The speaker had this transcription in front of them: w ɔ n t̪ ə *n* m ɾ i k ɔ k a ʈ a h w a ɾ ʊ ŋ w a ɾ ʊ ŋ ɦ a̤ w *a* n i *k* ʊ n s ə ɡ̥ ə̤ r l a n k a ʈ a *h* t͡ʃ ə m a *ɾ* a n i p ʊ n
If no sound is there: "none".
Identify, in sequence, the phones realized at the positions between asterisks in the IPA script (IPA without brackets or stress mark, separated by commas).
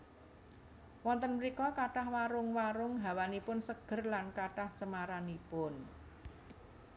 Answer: n, a, p, h, ɾ